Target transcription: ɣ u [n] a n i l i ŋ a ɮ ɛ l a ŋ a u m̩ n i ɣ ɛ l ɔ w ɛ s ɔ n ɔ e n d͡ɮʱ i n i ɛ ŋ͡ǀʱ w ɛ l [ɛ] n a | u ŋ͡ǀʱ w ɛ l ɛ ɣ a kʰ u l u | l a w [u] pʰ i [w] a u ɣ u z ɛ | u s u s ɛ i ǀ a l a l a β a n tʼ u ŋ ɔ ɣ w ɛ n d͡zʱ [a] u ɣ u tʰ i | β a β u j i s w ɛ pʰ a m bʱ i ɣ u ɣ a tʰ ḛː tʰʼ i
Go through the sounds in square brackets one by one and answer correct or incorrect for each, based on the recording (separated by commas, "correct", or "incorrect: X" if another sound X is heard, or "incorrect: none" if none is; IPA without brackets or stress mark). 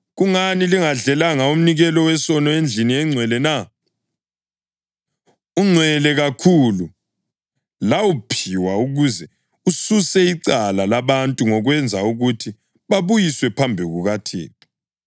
incorrect: ŋ, correct, correct, correct, correct